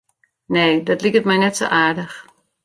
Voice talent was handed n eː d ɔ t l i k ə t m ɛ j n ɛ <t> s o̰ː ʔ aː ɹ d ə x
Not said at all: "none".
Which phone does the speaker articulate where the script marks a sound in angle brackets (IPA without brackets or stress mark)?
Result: t